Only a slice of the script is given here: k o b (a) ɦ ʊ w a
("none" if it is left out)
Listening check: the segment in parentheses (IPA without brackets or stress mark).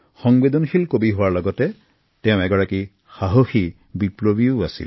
i